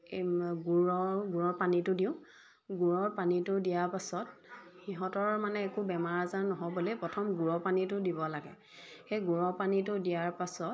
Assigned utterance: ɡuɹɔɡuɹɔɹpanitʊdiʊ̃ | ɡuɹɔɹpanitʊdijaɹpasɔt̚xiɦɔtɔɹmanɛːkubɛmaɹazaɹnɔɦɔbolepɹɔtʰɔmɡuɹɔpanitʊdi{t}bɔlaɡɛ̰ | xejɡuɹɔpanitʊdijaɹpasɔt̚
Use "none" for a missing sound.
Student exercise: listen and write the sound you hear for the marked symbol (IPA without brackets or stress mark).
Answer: none